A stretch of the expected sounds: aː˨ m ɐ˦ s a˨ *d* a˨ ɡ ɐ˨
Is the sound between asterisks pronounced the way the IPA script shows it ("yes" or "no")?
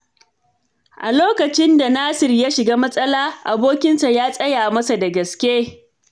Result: yes